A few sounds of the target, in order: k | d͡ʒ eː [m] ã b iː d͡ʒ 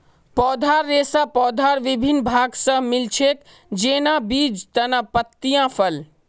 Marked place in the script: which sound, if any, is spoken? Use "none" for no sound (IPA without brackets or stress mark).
n